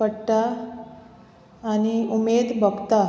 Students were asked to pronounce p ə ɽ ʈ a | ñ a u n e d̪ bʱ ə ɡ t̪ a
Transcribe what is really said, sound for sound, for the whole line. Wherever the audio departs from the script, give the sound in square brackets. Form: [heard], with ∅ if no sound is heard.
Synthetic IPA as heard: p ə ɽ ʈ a | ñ [i] u [m] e d̪ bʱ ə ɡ t̪ a